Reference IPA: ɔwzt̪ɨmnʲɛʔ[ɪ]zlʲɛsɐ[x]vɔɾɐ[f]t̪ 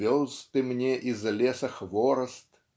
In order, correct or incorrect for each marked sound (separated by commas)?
incorrect, correct, incorrect